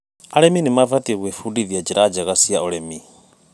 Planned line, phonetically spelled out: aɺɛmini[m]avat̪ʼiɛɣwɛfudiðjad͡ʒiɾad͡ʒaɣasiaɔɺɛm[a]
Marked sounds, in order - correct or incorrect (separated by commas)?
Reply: correct, incorrect